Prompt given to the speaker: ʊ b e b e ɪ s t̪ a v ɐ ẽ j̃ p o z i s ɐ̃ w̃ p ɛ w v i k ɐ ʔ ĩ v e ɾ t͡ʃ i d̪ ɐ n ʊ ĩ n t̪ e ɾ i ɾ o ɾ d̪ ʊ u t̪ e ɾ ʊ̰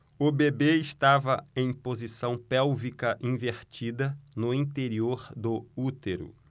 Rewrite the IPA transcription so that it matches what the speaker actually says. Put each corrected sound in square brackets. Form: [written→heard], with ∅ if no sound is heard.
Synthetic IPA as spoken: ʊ b e b e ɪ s t̪ a v ɐ ẽ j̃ p o z i s ɐ̃ w̃ p ɛ w v i k ɐ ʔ ĩ v e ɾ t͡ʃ i d̪ ɐ n ʊ ĩ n t̪ e ɾ i [ɾ→∅] o ɾ d̪ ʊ u t̪ e ɾ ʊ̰

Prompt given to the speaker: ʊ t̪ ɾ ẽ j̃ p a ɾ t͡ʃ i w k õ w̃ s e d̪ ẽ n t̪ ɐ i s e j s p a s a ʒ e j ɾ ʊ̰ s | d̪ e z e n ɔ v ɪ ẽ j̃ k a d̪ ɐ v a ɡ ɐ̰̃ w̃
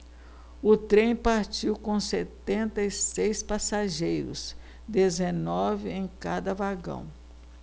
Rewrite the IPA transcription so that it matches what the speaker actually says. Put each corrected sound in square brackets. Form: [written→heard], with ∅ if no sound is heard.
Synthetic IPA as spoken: ʊ t̪ ɾ ẽ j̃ p a ɾ t͡ʃ i w k õ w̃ s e [d̪→t̪] ẽ n t̪ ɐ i s e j s p a s a ʒ e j ɾ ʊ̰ s | d̪ e z e n ɔ v ɪ ẽ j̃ k a d̪ ɐ v a ɡ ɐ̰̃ w̃

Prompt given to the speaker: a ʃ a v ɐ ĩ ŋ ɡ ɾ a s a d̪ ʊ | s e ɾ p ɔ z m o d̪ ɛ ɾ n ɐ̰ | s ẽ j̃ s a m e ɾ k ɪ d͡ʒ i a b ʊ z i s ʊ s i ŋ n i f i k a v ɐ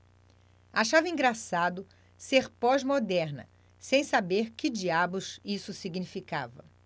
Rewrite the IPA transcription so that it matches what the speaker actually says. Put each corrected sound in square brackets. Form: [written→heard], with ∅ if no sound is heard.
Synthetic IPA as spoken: a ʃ a v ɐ ĩ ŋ ɡ ɾ a s a d̪ ʊ | s e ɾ p ɔ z m o d̪ ɛ ɾ n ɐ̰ | s ẽ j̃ s a [m→b] e ɾ k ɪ d͡ʒ i a b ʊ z i s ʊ s i [ŋ→ɡ] n i f i k a v ɐ

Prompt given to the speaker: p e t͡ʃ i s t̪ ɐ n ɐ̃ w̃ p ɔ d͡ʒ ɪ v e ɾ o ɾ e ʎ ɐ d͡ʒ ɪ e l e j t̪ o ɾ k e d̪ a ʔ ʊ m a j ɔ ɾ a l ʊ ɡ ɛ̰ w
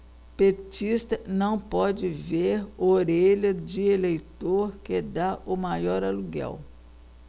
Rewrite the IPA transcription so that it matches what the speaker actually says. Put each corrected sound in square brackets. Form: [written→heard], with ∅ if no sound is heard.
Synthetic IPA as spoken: p e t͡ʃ i s t̪ ɐ n ɐ̃ w̃ p ɔ d͡ʒ ɪ v e ɾ o ɾ e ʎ ɐ d͡ʒ ɪ e l e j t̪ o ɾ k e d̪ a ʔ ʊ m a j ɔ ɾ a l [ʊ→u] ɡ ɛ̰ w

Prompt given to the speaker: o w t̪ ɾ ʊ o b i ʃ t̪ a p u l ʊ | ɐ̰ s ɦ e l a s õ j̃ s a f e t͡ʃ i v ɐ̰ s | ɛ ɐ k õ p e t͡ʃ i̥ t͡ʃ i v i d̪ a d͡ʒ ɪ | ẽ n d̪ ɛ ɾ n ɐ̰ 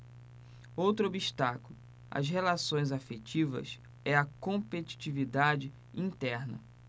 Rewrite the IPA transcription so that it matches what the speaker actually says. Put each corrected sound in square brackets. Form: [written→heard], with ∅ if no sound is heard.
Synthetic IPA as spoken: o w t̪ ɾ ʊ o b i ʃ t̪ a [p→k] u l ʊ | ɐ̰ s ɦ e l a s õ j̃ [s→z] a f e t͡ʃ i v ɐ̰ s | ɛ ɐ k õ p e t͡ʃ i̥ t͡ʃ i v i d̪ a d͡ʒ ɪ | [ẽ→ĩ] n [d̪→t̪] ɛ ɾ n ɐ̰

